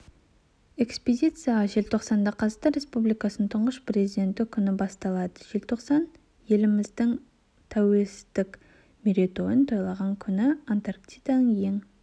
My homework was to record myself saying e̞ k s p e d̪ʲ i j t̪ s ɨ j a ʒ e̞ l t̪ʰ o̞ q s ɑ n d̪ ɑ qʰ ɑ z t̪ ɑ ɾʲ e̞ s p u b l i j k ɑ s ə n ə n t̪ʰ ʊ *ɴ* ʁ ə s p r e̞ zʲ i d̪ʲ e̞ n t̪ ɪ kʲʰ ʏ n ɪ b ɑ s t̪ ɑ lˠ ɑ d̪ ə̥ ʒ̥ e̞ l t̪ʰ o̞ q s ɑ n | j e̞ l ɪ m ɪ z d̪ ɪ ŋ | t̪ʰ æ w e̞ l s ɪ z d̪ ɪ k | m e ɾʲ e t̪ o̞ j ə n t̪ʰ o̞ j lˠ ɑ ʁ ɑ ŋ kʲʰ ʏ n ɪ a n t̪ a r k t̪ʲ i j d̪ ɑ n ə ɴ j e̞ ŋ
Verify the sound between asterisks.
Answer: correct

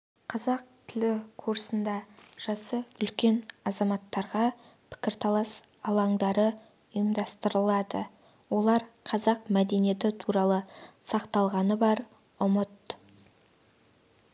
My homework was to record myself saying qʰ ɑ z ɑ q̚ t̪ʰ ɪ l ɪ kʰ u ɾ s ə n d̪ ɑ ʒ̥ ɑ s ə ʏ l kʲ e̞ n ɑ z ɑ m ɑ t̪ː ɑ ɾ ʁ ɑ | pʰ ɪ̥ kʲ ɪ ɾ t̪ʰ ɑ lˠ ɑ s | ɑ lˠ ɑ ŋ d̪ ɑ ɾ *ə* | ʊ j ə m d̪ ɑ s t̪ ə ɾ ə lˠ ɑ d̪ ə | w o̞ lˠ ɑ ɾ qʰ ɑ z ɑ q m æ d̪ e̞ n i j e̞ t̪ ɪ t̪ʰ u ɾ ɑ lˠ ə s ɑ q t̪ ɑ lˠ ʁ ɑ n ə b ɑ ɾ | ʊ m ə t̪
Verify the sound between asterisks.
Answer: correct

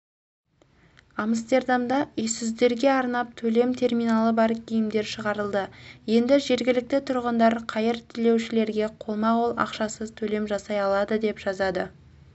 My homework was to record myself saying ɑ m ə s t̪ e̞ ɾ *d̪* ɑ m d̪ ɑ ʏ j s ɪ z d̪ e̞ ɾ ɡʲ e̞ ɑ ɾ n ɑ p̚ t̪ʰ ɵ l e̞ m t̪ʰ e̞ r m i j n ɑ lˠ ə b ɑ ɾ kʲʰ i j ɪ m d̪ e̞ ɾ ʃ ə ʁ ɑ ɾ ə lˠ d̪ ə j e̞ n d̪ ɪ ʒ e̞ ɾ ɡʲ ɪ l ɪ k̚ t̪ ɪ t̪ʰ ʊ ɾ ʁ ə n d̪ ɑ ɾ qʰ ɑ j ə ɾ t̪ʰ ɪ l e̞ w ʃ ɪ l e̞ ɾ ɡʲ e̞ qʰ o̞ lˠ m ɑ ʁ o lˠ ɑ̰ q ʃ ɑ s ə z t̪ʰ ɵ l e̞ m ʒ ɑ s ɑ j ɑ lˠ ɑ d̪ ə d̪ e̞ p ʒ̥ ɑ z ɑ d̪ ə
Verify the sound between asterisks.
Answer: correct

